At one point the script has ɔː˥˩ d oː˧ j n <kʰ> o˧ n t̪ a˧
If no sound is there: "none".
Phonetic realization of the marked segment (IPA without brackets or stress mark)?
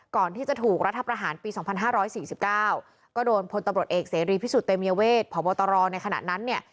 pʰ